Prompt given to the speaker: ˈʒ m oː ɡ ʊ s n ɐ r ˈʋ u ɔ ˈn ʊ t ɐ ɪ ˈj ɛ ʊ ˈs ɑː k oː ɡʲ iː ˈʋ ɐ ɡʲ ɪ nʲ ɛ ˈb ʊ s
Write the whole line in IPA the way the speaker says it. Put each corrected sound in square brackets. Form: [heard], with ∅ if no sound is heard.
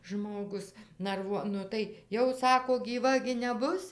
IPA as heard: ˈʒ m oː ɡ ʊ s n ɐ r ˈʋ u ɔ ˈn ʊ t ɐ ɪ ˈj ɛ ʊ ˈs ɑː k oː ɡʲ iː ˈʋ ɐ ɡʲ ɪ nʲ ɛ ˈb ʊ s